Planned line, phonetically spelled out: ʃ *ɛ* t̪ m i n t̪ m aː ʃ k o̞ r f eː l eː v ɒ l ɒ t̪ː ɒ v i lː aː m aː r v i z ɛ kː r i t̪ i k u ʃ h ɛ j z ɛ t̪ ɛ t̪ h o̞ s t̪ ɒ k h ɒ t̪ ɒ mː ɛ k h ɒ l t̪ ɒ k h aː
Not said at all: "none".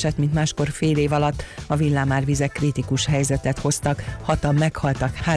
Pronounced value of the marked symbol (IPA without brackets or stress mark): ɛ